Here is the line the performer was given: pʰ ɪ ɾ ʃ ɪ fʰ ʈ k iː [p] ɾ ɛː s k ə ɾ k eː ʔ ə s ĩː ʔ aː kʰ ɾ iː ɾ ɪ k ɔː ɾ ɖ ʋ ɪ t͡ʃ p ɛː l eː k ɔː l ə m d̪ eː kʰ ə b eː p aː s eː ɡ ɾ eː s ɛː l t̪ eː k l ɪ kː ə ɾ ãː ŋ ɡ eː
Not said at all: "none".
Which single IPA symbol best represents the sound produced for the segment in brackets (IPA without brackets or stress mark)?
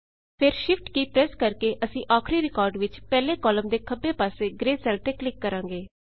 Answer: p